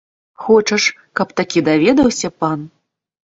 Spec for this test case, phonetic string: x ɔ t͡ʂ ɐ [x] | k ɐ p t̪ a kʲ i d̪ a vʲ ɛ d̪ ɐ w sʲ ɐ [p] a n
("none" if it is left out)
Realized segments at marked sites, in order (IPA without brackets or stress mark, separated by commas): ʂ, p